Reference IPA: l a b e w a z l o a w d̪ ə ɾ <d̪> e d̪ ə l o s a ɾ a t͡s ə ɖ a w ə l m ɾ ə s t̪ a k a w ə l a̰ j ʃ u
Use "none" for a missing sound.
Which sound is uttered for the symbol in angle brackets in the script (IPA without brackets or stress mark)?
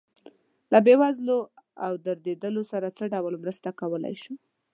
d̪